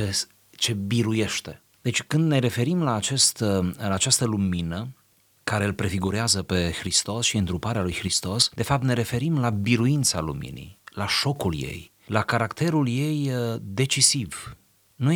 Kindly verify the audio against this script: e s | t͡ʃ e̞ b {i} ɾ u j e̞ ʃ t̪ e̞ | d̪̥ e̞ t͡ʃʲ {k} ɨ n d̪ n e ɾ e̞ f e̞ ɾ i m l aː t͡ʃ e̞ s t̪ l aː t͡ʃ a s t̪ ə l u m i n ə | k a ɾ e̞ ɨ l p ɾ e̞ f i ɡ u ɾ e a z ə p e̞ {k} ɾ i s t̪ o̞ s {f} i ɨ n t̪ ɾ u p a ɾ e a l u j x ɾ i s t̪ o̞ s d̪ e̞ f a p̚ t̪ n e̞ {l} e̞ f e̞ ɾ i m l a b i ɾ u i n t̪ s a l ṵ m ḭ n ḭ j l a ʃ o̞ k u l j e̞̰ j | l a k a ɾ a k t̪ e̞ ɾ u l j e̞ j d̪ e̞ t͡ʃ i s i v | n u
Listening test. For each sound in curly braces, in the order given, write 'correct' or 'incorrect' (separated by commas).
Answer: correct, correct, incorrect, incorrect, incorrect